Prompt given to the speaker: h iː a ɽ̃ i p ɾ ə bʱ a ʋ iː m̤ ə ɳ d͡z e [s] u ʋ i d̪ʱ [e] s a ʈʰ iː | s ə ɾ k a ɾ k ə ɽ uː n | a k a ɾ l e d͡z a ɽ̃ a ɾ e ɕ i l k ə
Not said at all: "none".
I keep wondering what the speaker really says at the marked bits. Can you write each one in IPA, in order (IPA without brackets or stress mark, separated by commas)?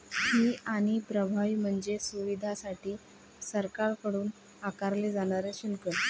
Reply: s, a